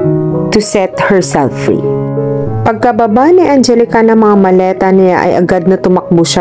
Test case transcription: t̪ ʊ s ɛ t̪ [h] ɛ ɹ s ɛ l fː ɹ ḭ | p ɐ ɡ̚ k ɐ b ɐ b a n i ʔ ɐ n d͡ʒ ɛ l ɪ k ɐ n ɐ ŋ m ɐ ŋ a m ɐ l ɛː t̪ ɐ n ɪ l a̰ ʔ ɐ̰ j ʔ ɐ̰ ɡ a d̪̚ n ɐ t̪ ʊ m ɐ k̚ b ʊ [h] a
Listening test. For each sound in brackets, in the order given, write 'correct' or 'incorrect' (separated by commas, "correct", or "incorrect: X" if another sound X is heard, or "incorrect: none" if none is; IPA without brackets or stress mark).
correct, incorrect: ʃ